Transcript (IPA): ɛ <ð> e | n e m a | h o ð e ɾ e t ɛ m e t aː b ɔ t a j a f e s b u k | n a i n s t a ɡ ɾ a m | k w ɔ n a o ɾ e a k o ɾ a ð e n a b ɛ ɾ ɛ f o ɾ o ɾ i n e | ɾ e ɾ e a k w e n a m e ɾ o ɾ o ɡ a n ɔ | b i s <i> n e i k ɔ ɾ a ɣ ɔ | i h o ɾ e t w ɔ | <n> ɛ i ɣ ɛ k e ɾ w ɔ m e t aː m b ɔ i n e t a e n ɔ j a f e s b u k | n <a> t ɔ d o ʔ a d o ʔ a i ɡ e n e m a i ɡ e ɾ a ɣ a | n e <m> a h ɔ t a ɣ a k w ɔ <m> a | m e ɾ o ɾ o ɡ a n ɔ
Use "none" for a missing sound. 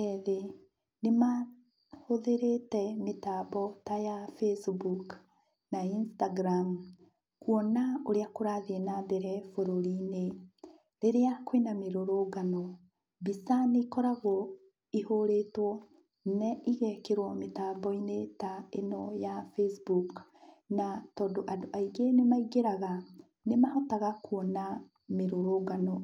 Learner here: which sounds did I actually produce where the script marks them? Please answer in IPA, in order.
ð, a, n, a, m, n

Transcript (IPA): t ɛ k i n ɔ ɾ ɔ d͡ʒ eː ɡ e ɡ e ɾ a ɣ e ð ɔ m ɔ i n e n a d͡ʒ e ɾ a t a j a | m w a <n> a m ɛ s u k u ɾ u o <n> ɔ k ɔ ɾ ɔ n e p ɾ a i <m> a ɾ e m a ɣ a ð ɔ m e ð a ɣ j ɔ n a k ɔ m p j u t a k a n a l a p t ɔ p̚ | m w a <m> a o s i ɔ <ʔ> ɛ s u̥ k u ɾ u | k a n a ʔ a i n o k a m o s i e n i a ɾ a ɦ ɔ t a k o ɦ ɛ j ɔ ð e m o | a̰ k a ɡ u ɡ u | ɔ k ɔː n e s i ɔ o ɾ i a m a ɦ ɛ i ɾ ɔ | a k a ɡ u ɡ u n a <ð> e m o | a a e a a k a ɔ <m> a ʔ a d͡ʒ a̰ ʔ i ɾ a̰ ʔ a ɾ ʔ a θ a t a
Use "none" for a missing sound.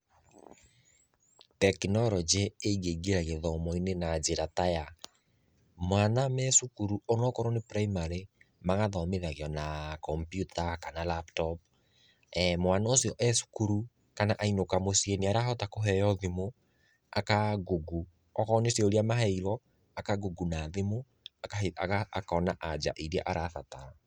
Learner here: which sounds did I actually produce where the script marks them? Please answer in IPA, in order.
n, n, m, n, ʔ, ð, n

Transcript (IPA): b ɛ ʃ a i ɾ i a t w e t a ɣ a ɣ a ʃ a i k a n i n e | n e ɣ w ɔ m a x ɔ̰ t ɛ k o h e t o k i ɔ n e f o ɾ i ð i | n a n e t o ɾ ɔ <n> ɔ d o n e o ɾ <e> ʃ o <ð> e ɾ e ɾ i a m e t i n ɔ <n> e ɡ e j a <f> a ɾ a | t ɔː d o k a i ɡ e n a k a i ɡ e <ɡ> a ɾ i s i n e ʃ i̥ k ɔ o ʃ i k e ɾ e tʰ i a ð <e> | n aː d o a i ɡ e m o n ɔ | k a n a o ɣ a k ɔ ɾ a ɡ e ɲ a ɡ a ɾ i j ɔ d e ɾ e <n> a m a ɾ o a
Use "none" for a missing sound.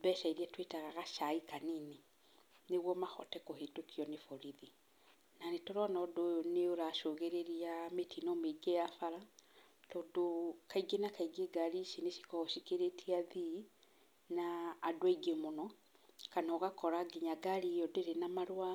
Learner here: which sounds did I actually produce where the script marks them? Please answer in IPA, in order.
n, a, ɣ, m, f, ɡ, i, n

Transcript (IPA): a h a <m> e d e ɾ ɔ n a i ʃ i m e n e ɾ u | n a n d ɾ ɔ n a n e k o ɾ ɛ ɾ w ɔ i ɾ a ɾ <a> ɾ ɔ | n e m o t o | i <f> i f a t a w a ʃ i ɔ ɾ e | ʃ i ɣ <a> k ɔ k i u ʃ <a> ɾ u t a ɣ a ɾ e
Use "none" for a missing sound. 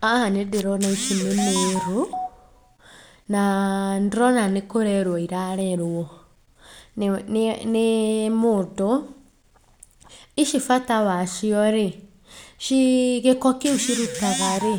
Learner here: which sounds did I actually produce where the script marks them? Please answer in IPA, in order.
n, ɛ, ʃ, e, i

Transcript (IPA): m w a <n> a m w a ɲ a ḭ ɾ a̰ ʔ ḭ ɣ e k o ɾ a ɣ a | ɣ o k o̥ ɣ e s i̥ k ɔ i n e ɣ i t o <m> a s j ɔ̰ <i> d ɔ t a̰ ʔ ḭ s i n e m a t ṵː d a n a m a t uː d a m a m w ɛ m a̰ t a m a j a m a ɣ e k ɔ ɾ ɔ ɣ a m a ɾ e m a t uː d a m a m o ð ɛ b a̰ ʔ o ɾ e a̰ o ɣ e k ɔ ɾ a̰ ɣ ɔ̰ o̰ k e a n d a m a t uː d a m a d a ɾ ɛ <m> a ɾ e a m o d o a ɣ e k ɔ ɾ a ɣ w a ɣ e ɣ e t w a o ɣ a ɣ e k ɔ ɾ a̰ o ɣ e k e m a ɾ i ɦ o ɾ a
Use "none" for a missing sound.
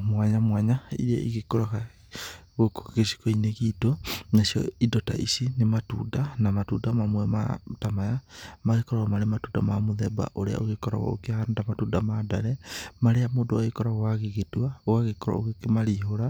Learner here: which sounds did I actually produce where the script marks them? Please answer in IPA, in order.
ɲ, n, i, m

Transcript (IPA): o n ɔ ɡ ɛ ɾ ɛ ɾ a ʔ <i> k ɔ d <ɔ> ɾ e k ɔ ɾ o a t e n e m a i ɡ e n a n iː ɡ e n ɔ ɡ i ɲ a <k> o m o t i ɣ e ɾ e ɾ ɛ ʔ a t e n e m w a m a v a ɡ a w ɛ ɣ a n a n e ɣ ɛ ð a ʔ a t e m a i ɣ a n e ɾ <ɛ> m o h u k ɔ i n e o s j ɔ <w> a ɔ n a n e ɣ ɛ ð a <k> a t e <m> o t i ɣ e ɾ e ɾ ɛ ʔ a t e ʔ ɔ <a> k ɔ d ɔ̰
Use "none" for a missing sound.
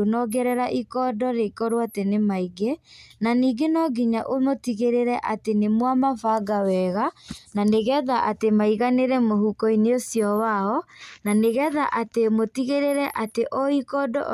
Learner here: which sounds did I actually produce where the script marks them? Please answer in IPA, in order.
i, ɔ, ʔ, ɛ, w, ʔ, m, i

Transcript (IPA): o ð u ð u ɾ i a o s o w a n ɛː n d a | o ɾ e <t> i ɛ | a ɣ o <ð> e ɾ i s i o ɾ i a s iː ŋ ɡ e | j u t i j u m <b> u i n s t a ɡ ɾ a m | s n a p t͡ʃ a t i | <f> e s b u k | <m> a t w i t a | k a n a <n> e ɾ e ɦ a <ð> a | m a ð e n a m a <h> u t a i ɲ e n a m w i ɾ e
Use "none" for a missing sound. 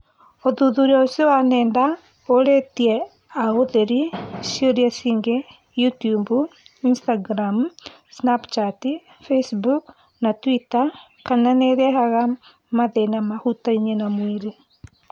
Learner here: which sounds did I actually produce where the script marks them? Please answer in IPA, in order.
t, ð, b, f, n, n, ɣ, h

